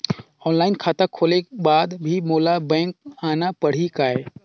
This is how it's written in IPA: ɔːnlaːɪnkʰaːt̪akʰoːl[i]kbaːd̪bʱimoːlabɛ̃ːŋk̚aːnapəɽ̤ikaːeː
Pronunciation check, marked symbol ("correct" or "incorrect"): incorrect